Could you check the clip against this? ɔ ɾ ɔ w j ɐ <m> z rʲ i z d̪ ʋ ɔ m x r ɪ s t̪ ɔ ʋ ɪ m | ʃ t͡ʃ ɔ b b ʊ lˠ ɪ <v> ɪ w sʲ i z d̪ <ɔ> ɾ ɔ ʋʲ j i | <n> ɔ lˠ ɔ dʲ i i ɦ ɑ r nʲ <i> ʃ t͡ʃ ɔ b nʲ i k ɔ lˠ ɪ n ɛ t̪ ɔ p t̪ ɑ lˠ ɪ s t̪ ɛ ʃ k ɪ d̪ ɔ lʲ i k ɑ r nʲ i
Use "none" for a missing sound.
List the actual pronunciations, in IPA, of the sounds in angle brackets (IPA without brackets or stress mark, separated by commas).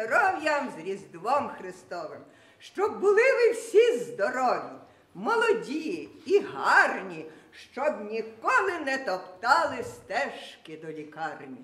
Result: m, ʋ, ɔ, m, i